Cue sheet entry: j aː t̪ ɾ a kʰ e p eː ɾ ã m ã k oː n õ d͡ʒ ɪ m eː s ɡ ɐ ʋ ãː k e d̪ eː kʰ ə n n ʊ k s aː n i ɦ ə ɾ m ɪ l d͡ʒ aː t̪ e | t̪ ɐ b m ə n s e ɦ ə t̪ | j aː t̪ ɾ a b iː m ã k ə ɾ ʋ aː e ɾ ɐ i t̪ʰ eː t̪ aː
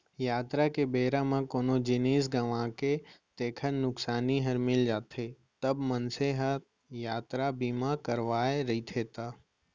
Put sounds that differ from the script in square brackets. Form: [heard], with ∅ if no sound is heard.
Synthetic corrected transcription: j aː t̪ ɾ a [k] e [b] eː ɾ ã m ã k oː n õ d͡ʒ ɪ [n] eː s ɡ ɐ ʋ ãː k e [t̪] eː kʰ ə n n ʊ k s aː n i ɦ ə ɾ m ɪ l d͡ʒ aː t̪ e | t̪ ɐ b m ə n s e ɦ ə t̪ | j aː t̪ ɾ a b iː m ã k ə ɾ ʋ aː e ɾ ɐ i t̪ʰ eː t̪ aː